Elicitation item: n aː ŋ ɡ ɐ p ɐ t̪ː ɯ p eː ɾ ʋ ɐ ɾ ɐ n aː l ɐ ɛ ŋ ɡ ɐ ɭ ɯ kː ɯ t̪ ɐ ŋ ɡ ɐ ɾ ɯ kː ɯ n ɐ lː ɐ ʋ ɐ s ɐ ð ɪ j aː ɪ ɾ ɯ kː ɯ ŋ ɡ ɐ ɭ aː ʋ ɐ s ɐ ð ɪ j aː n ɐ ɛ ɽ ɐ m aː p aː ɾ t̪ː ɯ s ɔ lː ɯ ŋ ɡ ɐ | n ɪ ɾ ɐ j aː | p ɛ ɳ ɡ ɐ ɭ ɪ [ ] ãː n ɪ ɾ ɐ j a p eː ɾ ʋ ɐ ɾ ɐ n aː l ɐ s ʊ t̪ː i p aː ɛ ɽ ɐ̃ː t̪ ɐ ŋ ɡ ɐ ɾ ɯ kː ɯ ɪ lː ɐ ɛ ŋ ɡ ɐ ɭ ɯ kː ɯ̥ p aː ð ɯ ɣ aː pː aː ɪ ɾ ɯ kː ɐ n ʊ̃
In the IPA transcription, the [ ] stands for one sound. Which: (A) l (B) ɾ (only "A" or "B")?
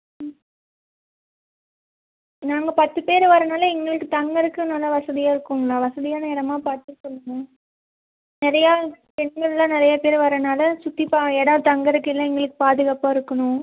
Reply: A